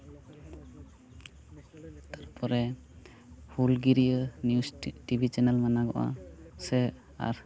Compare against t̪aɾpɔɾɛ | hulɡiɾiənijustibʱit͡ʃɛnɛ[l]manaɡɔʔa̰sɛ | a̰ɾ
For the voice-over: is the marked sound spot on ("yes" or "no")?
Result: yes